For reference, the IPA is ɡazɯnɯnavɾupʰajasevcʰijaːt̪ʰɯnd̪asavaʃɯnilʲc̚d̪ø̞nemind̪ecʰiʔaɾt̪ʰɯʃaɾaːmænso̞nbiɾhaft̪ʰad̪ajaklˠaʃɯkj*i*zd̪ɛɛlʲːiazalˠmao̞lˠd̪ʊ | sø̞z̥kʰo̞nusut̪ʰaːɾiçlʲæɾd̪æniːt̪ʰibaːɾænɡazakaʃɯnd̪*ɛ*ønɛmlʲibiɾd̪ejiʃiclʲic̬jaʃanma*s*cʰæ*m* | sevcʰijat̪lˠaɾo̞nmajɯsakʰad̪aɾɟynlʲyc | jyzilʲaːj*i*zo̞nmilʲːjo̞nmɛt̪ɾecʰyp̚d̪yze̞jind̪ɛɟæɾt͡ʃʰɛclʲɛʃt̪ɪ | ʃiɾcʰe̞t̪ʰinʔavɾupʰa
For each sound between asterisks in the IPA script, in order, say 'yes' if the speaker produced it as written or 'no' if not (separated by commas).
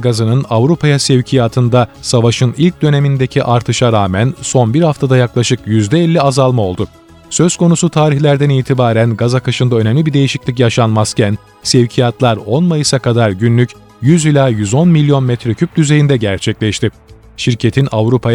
no, no, yes, no, no